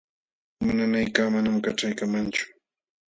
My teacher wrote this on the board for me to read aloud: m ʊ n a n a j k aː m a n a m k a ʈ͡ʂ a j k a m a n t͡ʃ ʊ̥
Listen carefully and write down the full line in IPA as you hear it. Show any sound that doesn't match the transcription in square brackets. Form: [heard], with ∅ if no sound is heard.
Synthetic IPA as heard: m ʊ n a n a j k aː m a n a m k a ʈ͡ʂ a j k a m a n t͡ʃ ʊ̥